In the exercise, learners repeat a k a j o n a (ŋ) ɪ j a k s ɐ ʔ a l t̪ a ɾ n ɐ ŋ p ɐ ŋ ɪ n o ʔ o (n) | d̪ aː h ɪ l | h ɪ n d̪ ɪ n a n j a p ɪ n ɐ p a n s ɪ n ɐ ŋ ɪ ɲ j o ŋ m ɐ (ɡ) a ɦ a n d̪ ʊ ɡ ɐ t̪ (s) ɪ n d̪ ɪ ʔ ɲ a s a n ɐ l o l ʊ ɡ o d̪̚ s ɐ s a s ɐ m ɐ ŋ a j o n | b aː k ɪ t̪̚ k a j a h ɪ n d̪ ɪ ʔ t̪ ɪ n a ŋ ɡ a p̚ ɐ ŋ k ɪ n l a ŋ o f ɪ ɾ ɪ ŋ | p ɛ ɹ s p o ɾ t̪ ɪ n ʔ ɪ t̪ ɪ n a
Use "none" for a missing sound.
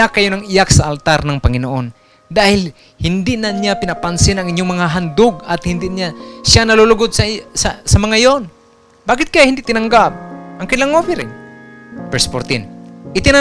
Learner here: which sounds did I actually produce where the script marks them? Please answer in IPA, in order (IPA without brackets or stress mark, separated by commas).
ŋ, n, ŋ, h